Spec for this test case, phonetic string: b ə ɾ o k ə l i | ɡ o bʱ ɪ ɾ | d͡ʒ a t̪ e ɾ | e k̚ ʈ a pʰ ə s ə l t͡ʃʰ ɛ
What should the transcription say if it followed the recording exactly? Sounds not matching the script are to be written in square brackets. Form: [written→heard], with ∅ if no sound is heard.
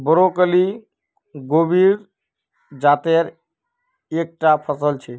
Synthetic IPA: b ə ɾ o k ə l i | ɡ o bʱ [ɪ→i] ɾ | d͡ʒ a t̪ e ɾ | e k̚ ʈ a pʰ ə s ə l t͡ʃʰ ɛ

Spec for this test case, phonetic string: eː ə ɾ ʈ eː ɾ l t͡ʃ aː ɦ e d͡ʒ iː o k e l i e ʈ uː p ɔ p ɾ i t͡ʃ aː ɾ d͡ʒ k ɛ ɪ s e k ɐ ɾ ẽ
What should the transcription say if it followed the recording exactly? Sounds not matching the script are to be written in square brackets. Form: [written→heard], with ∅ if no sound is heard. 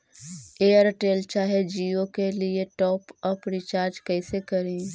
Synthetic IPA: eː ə ɾ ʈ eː [ɾ→∅] l t͡ʃ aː ɦ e d͡ʒ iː o k e l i e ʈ [uː→ɔː] p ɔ p ɾ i t͡ʃ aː ɾ d͡ʒ k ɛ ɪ s e k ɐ ɾ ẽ

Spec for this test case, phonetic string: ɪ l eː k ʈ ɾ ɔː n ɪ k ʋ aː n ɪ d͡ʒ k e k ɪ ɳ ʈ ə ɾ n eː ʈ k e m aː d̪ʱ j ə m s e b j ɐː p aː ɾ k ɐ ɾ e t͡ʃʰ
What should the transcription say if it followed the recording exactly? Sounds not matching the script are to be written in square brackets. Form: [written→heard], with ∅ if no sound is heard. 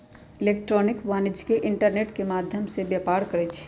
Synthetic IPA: ɪ l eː k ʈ ɾ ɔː n ɪ k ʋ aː n ɪ d͡ʒ k e [k→ʔ] ɪ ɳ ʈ ə ɾ n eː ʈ k e m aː d̪ʱ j ə m s e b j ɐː p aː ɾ k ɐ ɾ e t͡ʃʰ

